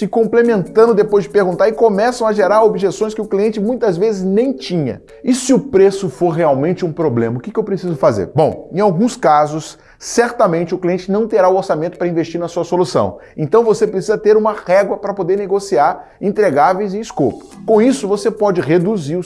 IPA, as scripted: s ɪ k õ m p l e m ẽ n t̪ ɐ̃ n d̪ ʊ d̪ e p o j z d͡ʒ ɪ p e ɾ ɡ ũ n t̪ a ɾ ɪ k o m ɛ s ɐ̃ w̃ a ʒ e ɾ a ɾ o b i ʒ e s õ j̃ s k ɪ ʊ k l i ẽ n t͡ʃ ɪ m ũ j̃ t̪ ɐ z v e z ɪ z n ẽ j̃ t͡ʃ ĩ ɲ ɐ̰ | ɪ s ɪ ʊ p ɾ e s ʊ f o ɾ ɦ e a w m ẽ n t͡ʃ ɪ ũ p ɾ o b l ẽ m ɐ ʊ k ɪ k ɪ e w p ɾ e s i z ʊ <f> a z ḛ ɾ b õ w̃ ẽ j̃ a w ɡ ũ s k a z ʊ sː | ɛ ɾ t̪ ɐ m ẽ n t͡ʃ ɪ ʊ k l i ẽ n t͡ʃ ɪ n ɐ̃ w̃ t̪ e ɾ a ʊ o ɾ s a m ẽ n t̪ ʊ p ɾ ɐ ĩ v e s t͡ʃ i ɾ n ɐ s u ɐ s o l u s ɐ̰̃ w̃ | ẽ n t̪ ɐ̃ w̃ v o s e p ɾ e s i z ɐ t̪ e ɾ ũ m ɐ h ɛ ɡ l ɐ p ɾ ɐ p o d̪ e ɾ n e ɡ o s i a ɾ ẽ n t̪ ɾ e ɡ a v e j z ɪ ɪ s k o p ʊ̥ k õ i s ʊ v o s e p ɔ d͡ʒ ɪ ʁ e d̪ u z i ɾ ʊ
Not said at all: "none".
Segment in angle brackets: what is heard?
f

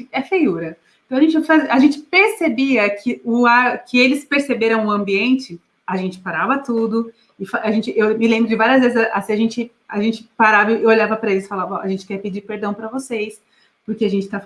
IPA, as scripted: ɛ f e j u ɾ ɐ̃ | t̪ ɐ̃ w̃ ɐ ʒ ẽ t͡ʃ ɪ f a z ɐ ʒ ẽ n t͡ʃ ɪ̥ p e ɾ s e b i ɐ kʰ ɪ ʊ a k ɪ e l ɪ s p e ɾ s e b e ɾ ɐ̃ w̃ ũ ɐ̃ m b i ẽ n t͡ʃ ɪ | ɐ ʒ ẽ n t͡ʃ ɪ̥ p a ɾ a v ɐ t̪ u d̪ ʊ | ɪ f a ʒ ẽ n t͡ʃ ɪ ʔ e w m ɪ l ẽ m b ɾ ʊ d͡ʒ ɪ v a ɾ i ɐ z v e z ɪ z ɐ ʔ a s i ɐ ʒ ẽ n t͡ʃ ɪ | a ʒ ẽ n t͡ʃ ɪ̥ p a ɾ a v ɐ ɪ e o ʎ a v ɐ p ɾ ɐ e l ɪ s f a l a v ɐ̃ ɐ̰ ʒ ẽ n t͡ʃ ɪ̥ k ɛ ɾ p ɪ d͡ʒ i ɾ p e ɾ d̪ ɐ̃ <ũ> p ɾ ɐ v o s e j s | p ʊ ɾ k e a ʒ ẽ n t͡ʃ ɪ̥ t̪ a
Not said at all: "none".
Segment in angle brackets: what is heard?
w̃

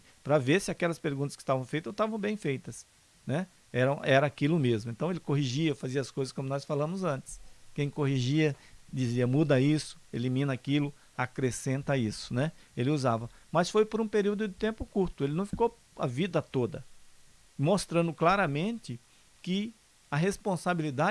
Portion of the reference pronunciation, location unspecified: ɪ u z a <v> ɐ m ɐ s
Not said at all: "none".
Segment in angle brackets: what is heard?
v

